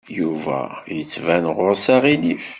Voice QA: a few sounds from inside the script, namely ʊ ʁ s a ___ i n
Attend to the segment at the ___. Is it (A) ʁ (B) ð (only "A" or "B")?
A